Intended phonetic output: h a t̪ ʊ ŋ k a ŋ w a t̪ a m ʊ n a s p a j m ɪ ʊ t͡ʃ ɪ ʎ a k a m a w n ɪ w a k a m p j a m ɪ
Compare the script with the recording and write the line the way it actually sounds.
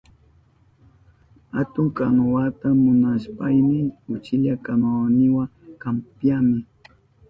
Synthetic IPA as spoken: h a t̪ ʊ ŋ k a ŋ w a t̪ a m ʊ n a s p a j m ɪ ʊ t͡ʃ ɪ ʎ a k a m a w n ɪ w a k a m p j a m ɪ